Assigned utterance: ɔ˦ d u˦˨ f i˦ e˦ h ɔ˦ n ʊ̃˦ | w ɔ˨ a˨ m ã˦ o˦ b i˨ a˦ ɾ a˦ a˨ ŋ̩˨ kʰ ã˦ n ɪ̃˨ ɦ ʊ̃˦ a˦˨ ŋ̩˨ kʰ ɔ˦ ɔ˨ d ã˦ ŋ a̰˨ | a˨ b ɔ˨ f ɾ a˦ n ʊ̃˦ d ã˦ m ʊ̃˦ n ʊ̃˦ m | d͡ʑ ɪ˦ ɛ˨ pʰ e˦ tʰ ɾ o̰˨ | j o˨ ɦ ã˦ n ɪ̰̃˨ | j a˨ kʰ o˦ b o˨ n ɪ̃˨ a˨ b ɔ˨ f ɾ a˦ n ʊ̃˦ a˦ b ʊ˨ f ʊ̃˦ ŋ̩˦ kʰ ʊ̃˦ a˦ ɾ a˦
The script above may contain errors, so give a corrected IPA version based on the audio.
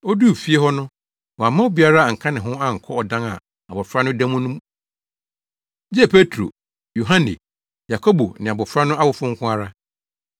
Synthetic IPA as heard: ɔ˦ d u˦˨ f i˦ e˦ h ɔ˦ n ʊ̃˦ | w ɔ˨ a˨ m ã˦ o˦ b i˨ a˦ ɾ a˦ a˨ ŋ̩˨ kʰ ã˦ n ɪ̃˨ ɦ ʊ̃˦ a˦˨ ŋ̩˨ kʰ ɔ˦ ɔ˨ d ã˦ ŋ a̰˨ | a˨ b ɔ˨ f ɾ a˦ n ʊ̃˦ d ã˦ m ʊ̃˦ n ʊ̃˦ m | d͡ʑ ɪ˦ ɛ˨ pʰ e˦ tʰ ɾ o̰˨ | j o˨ ɦ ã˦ n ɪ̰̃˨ | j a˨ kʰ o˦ b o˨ n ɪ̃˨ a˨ b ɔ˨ f ɾ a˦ n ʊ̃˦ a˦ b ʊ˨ f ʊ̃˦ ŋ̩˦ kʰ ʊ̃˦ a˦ ɾ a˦